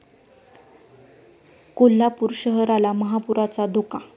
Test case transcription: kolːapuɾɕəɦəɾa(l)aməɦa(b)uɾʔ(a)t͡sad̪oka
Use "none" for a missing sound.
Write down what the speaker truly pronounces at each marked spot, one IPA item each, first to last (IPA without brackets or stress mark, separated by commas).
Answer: l, p, a